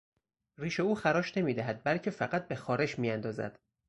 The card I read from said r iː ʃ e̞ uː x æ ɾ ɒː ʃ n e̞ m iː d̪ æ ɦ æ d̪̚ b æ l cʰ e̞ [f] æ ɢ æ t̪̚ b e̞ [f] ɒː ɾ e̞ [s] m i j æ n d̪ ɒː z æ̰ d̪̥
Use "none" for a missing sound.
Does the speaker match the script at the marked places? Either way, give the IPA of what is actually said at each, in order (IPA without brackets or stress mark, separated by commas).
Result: f, x, ʃ